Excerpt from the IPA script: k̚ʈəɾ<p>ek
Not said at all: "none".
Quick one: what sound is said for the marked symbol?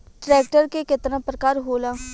k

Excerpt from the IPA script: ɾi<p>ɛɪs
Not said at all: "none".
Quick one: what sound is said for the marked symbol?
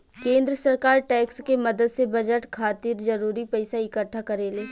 p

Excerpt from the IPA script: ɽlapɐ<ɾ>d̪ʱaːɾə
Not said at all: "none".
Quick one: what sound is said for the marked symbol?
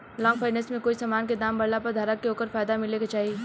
ɾ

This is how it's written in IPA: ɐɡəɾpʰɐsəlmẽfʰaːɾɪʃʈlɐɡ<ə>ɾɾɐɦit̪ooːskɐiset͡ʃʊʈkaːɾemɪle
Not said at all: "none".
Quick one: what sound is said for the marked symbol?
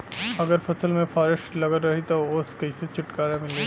ə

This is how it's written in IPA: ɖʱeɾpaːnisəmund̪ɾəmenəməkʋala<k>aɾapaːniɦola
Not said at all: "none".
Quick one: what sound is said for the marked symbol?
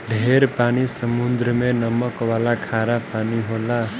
kʰ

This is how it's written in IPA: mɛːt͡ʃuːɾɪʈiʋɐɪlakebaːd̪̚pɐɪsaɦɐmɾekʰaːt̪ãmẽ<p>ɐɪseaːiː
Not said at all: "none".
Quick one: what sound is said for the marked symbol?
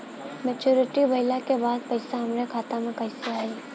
k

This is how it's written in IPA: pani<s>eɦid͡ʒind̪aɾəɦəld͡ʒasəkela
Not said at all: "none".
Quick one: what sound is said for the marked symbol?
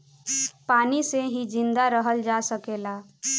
s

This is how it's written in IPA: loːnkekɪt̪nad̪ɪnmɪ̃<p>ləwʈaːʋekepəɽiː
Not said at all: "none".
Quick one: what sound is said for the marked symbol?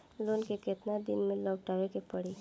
none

